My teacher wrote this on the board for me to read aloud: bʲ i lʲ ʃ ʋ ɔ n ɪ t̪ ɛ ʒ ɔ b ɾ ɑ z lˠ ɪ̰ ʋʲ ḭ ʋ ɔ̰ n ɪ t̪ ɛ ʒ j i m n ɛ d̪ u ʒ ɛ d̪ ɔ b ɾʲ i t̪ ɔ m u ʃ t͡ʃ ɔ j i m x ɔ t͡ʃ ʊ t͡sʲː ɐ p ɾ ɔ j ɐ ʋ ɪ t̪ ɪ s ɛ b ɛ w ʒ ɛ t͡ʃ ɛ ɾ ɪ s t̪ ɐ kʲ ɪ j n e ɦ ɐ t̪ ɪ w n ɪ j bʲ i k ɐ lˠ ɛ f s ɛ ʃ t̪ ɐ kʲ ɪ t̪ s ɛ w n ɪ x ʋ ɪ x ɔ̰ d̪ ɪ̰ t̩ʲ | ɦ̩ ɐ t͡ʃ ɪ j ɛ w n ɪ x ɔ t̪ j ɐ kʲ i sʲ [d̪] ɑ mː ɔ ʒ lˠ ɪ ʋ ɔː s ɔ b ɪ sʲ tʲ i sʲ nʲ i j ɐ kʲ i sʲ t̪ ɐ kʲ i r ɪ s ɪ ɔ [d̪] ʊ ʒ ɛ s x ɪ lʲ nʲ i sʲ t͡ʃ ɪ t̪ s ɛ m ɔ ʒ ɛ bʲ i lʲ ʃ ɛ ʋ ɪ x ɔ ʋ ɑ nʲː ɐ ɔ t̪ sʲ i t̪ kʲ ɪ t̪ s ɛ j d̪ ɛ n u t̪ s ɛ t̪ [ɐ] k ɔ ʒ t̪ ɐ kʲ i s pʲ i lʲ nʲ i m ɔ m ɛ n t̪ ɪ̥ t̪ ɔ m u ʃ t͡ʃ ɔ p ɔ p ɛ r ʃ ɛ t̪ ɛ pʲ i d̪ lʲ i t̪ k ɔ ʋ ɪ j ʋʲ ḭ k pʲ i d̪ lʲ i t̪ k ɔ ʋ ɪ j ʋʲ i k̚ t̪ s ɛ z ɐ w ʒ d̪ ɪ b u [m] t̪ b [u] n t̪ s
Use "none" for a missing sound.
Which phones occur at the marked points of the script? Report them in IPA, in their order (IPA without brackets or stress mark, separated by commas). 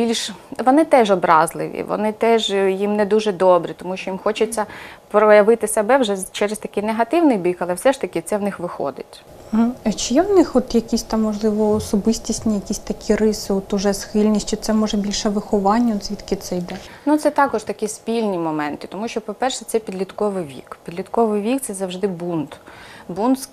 t̪, t̪, ɑ, n, u